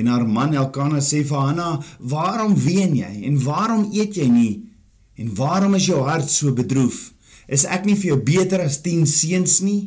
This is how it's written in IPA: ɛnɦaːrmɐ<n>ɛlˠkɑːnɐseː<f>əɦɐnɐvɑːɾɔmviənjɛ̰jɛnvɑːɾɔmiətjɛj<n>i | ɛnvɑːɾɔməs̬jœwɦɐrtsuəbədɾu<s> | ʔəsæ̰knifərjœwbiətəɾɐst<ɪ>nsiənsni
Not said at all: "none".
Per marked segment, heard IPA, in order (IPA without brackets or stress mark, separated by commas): n, f, n, f, i